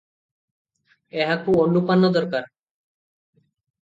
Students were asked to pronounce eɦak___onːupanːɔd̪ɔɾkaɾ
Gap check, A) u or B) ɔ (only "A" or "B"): A